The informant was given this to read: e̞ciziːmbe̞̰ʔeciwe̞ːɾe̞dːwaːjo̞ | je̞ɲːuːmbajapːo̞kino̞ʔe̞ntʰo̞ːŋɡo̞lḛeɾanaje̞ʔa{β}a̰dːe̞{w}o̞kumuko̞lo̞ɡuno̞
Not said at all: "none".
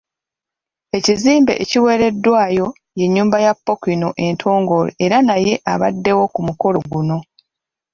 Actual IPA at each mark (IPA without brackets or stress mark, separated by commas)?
β, w